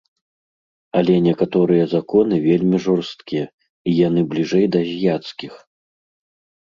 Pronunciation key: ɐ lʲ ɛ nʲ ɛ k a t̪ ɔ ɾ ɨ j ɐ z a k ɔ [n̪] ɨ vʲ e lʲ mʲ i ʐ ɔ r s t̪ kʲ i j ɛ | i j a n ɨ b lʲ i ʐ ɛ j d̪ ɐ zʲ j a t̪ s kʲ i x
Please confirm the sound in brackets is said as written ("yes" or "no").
yes